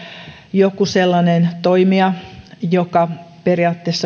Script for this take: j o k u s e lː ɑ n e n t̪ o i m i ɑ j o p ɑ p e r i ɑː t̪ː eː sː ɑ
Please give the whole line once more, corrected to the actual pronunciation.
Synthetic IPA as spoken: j o k u s e lː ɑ n e n t̪ o i m i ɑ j o k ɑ p e r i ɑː t̪ː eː sː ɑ